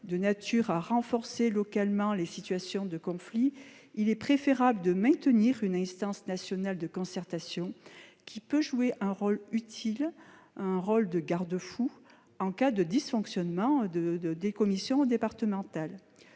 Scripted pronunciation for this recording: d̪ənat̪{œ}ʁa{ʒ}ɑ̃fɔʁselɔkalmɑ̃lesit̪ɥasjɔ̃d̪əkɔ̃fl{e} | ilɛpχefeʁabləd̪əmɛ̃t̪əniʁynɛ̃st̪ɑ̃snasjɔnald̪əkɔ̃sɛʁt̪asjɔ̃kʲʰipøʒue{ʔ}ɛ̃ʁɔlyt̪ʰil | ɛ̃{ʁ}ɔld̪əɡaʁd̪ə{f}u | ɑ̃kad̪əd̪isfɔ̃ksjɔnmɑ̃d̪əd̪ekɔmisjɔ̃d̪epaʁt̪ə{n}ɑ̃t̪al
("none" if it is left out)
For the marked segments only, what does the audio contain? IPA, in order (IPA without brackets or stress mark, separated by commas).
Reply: y, ʁ, i, ʔ, ʁ, f, m